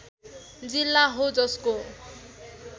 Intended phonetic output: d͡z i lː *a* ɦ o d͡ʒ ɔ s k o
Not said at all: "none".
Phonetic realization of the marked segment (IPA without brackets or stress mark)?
a